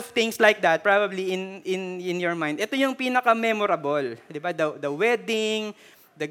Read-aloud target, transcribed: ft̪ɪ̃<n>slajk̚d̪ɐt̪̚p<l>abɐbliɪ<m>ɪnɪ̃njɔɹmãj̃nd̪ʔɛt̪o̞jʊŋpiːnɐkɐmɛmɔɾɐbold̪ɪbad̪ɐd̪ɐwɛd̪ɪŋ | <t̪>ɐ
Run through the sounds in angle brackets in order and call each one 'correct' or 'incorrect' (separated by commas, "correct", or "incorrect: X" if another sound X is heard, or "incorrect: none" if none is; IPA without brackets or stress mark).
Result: incorrect: ŋ, incorrect: ɹ, incorrect: n, incorrect: d̪